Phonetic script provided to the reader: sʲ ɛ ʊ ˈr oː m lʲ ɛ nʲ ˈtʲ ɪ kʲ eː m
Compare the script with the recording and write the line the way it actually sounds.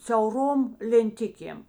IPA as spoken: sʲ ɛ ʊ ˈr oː m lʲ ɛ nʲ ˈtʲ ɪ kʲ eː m